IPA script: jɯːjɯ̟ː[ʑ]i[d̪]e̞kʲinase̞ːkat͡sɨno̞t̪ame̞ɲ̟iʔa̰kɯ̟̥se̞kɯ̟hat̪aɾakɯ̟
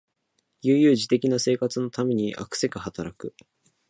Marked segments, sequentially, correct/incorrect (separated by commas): correct, incorrect